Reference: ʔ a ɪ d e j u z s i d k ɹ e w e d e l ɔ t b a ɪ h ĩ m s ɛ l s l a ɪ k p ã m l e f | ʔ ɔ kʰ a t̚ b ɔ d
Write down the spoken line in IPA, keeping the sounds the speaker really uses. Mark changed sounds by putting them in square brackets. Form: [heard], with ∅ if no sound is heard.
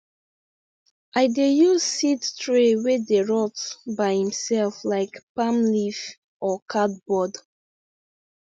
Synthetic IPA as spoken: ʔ a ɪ d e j u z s i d [t] ɹ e w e d e [ɹ] ɔ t b a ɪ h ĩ m s ɛ l [f] l a ɪ k p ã m l [i] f | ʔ ɔ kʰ a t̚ b ɔ d